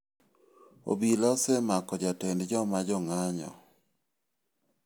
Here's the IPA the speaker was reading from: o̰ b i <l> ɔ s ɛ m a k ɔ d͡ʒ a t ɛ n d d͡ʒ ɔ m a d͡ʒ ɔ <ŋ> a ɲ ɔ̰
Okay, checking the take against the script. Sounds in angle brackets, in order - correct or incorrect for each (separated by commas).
correct, correct